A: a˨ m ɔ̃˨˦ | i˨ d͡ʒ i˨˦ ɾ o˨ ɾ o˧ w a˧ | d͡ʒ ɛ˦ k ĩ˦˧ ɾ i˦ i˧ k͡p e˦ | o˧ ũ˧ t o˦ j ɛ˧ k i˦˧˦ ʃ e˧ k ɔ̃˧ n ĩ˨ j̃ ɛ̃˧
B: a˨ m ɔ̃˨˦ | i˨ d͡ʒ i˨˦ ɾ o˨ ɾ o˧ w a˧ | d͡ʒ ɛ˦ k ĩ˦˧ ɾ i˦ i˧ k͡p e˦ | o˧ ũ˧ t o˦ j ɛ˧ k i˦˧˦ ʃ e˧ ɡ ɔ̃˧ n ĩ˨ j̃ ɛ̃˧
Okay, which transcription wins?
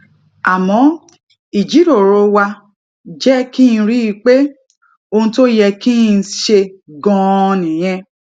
B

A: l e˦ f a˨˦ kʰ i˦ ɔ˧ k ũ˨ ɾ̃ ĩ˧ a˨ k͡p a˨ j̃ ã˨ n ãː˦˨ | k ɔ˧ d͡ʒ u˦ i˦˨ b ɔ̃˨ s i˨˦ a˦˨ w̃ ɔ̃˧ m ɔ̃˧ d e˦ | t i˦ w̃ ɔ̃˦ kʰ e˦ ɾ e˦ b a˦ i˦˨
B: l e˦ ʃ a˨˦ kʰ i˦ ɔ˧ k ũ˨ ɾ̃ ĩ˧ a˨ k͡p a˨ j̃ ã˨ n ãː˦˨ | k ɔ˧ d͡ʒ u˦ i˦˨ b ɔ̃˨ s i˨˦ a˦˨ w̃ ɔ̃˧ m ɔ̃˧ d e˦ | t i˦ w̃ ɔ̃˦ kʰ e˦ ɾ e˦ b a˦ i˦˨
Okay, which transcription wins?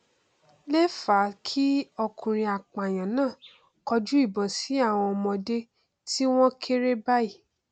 A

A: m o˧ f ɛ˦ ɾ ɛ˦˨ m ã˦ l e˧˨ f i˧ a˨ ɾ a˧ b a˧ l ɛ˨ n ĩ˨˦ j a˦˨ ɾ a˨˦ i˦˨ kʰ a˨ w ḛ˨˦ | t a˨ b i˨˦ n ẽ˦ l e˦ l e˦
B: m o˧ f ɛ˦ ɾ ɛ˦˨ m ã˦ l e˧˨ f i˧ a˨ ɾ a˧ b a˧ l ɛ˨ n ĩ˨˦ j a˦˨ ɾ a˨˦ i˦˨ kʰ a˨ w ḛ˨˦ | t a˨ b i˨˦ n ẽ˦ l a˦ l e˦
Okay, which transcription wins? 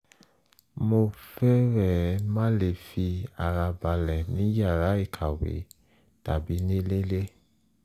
A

